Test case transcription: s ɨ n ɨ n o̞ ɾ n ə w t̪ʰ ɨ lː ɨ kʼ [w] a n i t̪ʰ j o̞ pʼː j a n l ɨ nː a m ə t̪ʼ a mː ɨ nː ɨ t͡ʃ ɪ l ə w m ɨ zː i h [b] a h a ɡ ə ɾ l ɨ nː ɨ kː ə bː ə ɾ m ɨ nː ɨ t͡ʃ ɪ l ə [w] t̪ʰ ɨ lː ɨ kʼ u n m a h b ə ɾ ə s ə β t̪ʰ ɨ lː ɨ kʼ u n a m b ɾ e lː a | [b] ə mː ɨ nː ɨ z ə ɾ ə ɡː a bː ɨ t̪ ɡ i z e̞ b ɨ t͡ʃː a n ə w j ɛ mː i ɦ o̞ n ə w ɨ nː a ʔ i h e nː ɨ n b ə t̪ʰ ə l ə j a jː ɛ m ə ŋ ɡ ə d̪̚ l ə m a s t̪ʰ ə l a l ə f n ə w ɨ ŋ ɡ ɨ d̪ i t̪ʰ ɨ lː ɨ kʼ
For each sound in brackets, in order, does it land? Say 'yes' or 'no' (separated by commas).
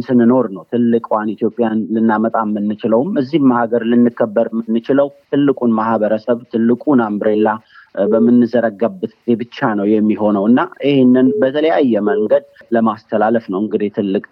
yes, no, yes, yes